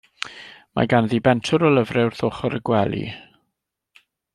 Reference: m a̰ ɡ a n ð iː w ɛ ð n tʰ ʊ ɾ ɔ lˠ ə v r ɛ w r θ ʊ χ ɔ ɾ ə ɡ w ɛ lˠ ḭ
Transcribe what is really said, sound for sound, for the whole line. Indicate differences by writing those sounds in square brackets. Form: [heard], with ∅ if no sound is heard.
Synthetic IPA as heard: m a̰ ɡ a n ð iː [b] ɛ [∅] n tʰ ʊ ɾ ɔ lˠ ə v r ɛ w r θ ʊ χ ɔ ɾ ə ɡ w ɛ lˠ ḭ